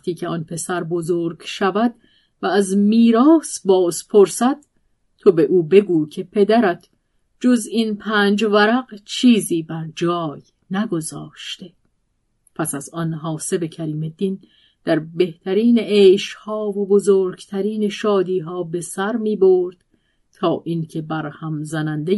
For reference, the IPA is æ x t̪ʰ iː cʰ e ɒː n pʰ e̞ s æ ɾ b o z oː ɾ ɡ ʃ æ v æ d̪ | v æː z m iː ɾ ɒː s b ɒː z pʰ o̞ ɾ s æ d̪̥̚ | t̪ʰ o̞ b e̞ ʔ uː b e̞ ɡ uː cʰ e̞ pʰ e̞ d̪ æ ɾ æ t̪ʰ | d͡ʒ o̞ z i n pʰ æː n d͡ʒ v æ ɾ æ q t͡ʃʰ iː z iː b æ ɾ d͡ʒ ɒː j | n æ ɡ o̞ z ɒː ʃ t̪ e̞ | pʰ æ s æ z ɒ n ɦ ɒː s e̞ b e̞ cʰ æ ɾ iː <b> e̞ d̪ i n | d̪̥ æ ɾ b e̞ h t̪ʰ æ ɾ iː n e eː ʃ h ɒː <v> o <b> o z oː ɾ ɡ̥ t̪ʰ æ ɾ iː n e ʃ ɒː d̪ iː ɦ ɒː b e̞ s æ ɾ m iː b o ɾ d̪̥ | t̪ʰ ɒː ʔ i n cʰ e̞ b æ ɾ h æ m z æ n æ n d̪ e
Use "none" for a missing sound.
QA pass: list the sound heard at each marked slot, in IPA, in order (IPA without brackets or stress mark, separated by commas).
m, v, b